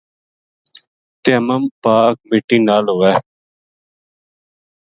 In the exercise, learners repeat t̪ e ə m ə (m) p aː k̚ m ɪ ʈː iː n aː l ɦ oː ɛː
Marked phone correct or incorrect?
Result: correct